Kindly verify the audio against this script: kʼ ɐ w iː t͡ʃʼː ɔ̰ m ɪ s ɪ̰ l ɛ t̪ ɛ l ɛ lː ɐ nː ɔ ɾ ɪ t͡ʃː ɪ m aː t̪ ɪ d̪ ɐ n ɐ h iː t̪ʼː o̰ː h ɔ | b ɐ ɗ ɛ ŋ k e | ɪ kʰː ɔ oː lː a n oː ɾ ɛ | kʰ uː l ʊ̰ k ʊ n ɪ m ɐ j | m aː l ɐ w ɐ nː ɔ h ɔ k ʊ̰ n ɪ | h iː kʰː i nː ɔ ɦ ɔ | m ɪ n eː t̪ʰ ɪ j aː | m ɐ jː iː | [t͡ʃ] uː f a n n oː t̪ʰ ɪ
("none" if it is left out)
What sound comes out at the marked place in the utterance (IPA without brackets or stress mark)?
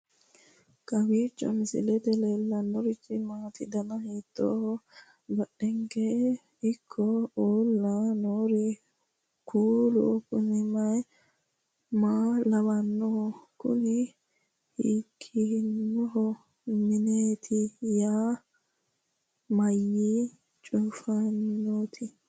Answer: t͡ʃʼ